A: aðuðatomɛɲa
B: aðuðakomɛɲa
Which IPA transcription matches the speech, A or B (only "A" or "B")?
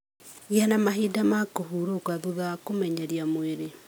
B